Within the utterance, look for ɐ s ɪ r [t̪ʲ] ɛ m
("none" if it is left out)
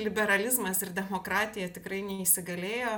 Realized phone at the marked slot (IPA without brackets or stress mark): d̪ʲ